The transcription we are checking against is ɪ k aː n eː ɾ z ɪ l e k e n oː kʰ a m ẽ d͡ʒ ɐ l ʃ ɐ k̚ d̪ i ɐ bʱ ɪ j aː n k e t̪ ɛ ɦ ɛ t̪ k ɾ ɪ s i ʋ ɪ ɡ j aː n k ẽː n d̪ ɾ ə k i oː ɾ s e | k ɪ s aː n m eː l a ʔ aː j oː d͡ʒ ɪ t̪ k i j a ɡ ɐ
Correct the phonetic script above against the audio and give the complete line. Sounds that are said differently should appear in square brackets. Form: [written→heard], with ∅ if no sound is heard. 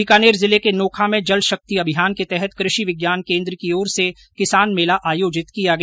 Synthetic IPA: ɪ k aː n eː ɾ z ɪ l e k e n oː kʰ a m ẽ d͡ʒ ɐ l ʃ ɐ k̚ [d̪→t̪] i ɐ bʱ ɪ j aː n k e t̪ ɛ ɦ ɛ t̪ k ɾ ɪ [s→ʃ] i ʋ ɪ ɡ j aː n k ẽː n d̪ ɾ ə k i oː ɾ s e | k ɪ s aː n m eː l a ʔ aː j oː d͡ʒ ɪ t̪ k i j a ɡ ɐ